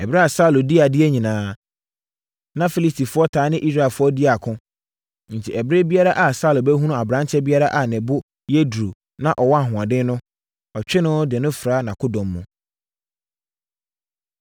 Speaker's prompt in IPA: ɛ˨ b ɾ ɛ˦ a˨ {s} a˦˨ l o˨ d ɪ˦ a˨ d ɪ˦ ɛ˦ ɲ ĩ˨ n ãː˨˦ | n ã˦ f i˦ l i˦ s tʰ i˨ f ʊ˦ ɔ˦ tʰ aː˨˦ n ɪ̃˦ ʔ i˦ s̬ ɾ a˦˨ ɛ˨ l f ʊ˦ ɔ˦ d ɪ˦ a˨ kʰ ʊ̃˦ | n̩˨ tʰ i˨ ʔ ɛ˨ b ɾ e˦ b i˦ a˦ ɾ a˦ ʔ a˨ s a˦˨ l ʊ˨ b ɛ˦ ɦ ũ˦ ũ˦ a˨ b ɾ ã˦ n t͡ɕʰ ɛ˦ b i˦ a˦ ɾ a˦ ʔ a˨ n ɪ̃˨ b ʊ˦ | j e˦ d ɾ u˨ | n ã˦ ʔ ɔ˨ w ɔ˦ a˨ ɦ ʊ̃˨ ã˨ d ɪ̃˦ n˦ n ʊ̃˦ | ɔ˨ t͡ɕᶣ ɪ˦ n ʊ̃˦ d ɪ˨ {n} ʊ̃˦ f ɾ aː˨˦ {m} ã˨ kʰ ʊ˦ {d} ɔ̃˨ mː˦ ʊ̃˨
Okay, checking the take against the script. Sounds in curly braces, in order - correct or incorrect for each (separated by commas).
correct, correct, incorrect, correct